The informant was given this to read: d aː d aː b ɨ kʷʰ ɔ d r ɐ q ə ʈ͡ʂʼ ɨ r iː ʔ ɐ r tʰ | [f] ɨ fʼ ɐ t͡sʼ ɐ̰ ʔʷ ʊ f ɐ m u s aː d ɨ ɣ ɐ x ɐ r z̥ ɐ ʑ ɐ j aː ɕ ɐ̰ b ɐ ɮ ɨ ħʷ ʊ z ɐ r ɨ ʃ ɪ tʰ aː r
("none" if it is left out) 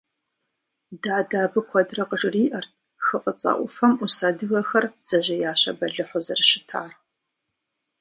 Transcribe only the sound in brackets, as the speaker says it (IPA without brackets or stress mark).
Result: x